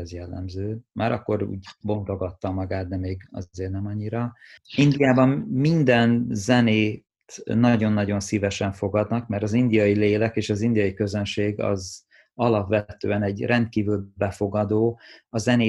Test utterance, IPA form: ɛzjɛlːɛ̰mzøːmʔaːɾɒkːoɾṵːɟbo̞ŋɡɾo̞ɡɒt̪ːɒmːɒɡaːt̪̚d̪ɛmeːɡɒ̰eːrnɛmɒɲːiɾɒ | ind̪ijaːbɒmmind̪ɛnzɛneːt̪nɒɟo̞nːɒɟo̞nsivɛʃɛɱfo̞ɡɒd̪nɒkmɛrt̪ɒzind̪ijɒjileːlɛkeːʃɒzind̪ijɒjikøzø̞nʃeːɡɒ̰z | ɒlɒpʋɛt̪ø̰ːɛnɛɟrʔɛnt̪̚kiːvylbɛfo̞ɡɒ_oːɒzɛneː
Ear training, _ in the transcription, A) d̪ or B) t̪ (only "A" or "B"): A